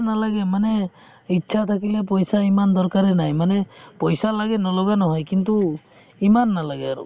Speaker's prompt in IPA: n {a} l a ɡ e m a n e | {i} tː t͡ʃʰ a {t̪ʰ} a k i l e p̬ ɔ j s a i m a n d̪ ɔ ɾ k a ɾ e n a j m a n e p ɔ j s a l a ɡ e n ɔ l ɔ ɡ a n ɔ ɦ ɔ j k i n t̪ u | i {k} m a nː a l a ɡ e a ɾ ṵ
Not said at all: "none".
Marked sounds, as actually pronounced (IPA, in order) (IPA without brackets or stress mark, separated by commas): a, i, t̪ʰ, none